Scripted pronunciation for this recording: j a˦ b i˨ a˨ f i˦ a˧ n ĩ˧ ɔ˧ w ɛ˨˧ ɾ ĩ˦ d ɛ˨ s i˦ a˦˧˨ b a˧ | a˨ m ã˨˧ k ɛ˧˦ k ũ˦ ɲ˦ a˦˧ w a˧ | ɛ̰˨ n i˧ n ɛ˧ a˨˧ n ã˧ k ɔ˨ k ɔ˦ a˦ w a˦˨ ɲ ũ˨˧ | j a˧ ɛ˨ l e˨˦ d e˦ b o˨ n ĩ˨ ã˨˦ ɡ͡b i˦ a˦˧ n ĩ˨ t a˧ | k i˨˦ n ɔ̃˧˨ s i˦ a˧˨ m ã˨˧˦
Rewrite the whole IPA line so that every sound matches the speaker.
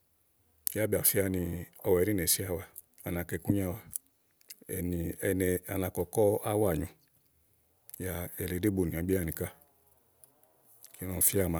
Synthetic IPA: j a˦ b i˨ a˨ f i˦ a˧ n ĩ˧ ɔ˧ w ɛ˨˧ ɾ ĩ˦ n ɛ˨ s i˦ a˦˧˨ w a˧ | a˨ n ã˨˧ k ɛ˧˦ k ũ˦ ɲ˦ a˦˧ w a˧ | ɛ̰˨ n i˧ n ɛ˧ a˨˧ n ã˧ k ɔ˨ k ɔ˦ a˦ w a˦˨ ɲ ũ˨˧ | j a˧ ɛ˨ l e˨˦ d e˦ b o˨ n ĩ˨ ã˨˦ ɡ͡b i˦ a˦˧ n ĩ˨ k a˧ | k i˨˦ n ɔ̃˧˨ f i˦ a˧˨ m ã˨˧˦